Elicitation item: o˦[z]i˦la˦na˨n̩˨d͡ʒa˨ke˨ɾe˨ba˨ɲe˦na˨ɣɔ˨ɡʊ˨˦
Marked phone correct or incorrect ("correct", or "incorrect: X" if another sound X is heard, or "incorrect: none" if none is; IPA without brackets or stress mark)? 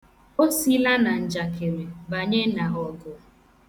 incorrect: s